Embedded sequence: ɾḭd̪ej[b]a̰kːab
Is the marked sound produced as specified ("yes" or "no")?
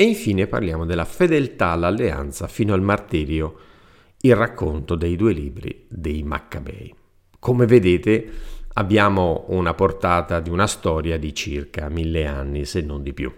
no